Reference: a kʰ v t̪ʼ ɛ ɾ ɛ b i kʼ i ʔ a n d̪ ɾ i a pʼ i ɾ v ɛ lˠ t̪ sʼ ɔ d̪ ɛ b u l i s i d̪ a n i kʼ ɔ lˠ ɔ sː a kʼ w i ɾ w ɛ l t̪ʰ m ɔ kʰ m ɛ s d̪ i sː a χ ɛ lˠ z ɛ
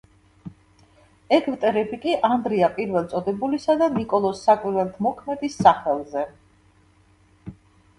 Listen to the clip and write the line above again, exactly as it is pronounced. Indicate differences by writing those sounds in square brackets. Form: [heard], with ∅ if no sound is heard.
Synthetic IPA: [ɛ] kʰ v t̪ʼ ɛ ɾ ɛ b i kʼ i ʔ a n d̪ ɾ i a pʼ i ɾ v ɛ lˠ t̪ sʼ ɔ d̪ ɛ b u l i s [a] d̪ a n i kʼ ɔ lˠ ɔ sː a kʼ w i ɾ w ɛ l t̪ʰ m ɔ kʰ m ɛ [∅] d̪ i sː a χ ɛ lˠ z ɛ